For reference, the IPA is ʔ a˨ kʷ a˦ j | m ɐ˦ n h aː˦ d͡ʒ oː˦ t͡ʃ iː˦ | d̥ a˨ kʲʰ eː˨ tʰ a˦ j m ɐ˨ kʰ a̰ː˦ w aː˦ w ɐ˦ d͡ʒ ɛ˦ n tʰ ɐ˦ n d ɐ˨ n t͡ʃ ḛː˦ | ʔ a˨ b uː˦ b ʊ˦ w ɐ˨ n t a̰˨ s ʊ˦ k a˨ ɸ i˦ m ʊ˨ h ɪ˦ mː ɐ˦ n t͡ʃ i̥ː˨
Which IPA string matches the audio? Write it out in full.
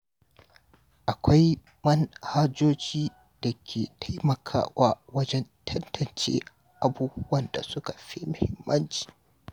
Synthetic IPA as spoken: ʔ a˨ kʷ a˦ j | m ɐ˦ n h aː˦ d͡ʒ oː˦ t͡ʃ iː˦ | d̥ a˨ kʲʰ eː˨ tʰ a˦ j m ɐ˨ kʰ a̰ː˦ w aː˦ w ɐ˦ d͡ʒ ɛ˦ n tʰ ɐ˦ n t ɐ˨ n t͡ʃ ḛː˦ | ʔ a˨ b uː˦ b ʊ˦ w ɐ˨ n d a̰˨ s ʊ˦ k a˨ ɸ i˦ m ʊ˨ h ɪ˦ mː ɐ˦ n t͡ʃ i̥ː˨

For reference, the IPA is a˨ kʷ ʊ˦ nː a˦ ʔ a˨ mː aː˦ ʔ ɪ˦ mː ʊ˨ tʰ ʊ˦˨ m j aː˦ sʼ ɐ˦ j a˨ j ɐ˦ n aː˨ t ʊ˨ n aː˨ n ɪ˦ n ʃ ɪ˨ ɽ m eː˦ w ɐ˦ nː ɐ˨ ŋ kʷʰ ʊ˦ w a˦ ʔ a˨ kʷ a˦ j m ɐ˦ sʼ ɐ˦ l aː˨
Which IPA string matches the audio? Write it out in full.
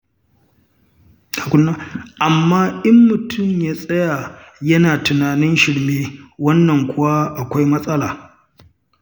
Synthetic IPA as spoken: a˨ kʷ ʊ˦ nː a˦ ʔ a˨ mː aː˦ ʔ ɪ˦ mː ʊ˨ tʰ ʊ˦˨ m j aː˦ sʼ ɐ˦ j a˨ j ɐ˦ n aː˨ t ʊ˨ n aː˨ n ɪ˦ n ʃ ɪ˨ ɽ m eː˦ w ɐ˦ nː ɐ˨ ŋ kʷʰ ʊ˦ w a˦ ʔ a˨ kʷ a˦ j m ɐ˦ sʼ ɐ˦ l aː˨

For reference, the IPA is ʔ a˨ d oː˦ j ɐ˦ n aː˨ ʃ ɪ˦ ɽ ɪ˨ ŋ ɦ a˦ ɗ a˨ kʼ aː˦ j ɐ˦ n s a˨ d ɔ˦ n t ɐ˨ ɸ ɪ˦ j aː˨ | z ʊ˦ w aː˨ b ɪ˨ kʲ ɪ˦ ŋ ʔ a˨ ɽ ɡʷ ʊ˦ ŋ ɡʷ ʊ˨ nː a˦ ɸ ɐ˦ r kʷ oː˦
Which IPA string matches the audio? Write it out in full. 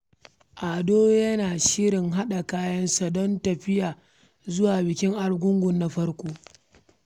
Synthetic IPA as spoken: ʔ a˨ d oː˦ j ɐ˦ n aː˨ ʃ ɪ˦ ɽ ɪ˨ ŋ ɦ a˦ ɗ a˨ k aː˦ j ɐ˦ n s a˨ d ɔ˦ n t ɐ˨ ɸ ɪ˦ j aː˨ | z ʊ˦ w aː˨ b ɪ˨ kʲ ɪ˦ ŋ ʔ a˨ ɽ ɡʷ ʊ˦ ŋ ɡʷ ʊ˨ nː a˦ ɸ ɐ˦ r kʷ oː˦

